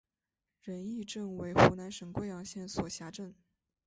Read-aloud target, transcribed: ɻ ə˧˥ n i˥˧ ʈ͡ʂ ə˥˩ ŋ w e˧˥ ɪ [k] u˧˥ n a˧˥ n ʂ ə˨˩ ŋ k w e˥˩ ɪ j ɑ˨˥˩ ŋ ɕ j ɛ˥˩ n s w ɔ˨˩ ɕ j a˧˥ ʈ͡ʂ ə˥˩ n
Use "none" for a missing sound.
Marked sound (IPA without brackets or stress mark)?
x